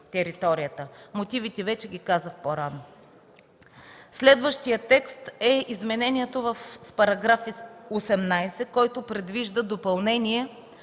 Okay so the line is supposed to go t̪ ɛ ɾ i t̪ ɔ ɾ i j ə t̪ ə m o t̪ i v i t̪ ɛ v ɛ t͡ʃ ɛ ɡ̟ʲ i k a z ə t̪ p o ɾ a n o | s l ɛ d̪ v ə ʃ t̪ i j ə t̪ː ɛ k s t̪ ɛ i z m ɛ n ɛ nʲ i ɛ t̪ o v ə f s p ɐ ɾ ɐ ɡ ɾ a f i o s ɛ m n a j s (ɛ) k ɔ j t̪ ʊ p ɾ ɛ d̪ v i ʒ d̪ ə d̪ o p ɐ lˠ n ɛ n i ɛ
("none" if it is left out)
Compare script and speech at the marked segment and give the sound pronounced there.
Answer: ɛ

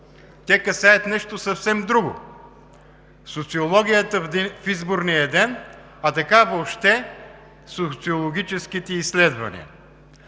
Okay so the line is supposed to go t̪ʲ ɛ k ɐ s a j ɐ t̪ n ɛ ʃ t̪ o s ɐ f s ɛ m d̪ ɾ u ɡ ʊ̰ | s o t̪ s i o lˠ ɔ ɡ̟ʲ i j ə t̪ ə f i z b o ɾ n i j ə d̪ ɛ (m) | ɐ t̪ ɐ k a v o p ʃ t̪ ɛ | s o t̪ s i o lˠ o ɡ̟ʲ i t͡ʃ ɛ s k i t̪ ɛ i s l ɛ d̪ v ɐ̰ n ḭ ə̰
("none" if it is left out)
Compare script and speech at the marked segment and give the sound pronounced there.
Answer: n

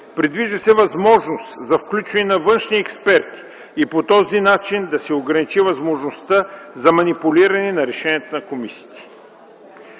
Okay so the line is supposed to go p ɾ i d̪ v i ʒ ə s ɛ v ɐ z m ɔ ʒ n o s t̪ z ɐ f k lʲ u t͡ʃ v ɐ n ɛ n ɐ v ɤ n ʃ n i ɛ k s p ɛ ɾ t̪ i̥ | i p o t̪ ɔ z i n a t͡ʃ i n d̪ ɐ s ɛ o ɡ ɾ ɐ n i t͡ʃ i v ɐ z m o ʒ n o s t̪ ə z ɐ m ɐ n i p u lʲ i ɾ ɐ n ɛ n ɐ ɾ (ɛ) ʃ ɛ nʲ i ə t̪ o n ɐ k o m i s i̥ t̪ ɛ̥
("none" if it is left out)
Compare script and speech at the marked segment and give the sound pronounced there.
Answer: ɛ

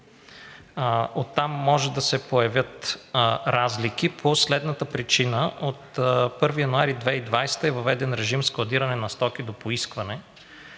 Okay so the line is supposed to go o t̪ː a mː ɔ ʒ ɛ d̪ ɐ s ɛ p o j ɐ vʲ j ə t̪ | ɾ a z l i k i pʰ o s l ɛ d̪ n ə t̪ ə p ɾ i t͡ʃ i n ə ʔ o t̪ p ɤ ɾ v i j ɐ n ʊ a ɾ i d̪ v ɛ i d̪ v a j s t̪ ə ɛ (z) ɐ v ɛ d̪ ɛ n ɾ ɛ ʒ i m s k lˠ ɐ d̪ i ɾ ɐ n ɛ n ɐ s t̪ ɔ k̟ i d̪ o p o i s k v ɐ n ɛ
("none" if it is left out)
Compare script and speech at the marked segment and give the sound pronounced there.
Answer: v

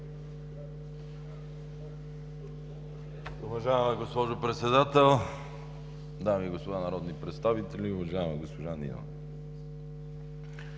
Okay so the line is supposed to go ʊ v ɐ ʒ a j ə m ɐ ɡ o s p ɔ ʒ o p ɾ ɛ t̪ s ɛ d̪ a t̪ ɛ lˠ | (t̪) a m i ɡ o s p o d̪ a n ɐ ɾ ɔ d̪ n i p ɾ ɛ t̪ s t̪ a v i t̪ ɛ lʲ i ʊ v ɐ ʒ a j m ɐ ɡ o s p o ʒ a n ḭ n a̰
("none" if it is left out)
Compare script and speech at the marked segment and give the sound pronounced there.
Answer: d̪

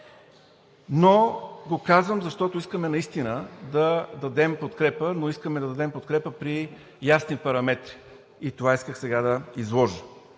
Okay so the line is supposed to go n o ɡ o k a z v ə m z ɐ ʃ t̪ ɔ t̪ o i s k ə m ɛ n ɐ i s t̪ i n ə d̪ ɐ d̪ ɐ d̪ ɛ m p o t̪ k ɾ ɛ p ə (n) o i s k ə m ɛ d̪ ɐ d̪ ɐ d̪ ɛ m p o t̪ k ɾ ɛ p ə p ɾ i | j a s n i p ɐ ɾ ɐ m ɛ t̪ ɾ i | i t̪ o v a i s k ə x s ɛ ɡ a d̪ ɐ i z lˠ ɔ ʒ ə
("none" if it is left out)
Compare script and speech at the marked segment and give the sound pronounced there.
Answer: n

